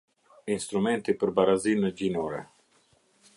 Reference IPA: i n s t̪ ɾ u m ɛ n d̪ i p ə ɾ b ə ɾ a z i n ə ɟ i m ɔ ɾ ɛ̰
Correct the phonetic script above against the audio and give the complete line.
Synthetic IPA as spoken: i n s t̪ ɾ u m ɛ n t̪ i p ə ɾ b a ɾ a z i n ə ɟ i n ɔ ɾ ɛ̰